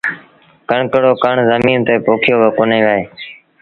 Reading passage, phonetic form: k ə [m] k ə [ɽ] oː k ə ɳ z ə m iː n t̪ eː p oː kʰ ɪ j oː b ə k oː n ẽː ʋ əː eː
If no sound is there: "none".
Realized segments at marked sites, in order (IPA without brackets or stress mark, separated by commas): ɳ, ɽ